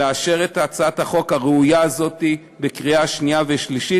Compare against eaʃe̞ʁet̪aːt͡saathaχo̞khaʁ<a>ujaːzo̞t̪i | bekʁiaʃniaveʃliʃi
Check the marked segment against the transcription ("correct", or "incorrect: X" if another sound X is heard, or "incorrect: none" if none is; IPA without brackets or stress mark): incorrect: e